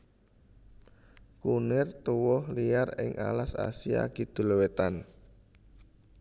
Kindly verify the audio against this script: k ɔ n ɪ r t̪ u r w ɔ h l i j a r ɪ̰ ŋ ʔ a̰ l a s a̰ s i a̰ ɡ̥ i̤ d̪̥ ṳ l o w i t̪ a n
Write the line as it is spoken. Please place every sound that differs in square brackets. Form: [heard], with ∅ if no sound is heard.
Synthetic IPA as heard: k [u] n ɪ r t̪ u [∅] w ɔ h l i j a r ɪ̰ ŋ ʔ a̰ l a s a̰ s i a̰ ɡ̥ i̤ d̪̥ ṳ l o w [e] t̪ a n